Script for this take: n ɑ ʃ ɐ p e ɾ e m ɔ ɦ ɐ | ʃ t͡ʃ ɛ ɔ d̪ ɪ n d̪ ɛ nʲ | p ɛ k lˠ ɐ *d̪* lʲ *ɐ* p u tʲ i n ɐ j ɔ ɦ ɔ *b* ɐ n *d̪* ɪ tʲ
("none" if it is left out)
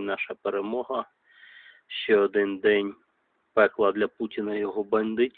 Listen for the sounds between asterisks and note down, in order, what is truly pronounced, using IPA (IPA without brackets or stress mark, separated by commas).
d̪, ɐ, b, d̪